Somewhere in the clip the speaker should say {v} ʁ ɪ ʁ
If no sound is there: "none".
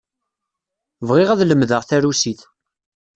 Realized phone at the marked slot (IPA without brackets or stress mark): v